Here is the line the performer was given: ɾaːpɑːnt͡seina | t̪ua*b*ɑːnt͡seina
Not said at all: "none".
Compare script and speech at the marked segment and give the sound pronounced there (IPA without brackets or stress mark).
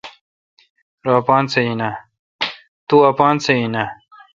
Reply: p